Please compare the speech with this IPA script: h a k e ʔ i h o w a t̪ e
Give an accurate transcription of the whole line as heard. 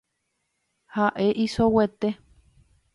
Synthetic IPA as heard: h a ʔ e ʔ i s o w e t̪ e